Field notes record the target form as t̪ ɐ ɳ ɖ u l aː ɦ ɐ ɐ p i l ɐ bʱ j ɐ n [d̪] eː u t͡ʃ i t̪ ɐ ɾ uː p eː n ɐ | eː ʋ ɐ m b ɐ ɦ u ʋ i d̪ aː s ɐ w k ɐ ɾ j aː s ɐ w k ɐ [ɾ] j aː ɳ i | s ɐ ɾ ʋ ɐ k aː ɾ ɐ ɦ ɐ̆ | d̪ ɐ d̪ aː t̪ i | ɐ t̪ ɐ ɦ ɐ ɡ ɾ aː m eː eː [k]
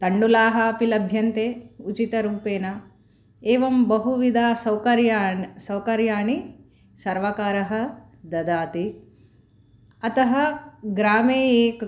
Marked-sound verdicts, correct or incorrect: incorrect, correct, correct

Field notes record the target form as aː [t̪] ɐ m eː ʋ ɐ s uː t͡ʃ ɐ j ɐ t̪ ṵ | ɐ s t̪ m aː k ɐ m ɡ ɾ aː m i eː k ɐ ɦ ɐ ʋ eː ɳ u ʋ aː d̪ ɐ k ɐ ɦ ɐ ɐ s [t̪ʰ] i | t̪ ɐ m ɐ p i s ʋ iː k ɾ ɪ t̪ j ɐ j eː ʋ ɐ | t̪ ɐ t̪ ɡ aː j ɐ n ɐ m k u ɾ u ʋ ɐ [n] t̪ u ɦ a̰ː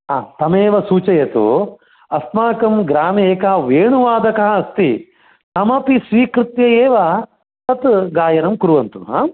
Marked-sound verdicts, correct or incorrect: correct, incorrect, correct

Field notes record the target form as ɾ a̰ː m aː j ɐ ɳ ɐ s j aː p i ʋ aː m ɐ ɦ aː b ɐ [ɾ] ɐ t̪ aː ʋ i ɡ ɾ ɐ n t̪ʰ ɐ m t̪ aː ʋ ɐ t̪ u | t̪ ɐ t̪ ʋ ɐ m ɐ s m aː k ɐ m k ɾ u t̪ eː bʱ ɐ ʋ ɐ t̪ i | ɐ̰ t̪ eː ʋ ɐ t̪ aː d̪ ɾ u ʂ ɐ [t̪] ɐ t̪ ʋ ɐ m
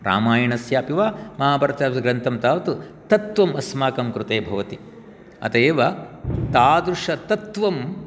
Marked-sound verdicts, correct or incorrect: correct, correct

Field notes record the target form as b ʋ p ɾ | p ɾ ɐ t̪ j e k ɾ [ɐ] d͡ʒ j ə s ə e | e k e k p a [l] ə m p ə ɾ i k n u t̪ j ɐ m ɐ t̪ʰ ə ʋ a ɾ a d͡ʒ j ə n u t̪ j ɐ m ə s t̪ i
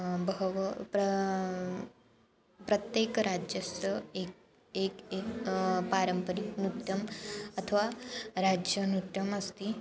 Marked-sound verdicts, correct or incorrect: incorrect, incorrect

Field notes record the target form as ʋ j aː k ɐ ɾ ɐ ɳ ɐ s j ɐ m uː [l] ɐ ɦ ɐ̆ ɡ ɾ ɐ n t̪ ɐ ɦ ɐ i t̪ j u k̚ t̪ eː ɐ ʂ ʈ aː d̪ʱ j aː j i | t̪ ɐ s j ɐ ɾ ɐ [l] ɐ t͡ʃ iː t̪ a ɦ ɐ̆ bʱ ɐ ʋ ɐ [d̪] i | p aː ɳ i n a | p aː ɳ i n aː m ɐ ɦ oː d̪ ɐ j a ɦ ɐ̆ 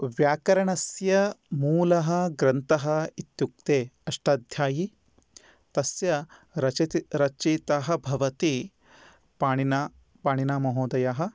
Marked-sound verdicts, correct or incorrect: correct, incorrect, incorrect

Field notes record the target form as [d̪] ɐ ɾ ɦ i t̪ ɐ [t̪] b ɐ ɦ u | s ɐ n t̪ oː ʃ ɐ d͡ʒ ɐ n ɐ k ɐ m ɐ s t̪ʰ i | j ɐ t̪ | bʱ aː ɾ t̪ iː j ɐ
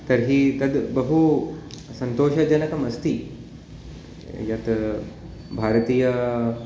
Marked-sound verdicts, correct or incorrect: incorrect, incorrect

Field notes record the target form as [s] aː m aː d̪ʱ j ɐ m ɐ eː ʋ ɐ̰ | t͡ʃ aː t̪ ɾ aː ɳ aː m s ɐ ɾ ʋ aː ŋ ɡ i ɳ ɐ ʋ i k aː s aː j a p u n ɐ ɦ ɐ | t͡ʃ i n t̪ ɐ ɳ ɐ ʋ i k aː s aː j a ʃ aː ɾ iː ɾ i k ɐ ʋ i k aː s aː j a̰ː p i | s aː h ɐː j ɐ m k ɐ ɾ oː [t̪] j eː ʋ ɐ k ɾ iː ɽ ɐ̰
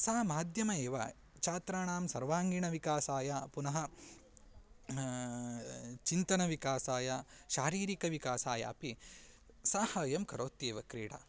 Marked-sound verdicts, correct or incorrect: correct, correct

